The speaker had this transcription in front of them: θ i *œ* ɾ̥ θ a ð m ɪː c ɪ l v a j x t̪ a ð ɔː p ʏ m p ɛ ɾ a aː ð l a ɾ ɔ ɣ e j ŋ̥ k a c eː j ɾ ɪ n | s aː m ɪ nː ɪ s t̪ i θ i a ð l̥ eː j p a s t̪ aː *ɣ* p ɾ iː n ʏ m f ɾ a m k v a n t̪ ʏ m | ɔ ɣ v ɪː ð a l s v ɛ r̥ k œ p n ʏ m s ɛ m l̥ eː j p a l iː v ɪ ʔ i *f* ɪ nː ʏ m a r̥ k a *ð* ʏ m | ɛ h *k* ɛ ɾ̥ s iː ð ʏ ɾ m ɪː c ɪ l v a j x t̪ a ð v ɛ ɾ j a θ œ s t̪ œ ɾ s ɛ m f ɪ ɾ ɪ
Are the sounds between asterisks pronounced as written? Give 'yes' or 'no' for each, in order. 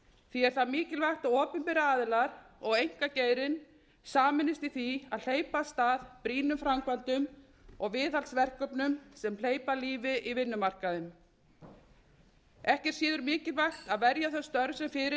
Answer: no, no, no, yes, no

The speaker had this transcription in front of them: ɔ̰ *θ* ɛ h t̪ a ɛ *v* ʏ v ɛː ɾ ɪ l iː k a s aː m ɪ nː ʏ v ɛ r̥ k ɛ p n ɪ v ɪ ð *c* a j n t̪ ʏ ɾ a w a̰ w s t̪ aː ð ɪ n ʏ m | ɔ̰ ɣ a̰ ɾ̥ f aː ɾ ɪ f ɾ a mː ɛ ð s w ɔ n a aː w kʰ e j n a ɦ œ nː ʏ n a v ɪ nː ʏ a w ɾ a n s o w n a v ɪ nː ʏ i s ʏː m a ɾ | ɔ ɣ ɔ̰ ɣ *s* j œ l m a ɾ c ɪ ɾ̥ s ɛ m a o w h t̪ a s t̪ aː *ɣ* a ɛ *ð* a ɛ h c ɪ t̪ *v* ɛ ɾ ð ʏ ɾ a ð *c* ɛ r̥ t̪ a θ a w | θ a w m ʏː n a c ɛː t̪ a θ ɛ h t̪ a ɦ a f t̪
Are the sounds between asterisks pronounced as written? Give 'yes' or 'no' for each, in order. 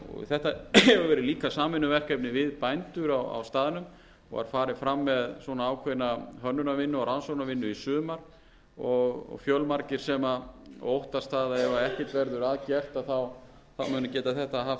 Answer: yes, yes, no, no, no, no, yes, yes

